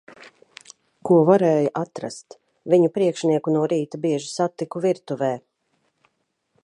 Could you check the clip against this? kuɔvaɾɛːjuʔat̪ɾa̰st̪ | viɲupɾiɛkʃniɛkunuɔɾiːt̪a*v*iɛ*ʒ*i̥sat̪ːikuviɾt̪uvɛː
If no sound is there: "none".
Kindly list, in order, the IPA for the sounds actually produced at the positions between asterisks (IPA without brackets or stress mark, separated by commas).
b, ʒ